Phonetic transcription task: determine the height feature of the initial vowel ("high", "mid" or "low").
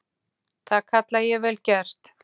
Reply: low